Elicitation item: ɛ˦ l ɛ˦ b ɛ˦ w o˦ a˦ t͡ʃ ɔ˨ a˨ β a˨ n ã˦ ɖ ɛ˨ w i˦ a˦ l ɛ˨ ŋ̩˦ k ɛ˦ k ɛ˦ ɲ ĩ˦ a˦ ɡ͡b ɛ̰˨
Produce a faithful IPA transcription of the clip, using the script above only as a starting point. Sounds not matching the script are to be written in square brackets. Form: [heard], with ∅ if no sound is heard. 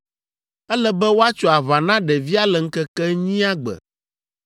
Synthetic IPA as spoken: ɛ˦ l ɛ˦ b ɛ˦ w o˦ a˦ t͡ʃ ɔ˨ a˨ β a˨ n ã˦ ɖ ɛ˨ [v] i˦ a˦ l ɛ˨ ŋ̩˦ k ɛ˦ k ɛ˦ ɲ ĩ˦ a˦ ɡ͡b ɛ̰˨